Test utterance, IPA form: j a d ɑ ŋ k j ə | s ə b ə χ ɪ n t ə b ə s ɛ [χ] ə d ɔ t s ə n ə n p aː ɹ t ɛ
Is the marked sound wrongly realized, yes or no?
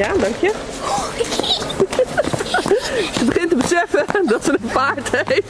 yes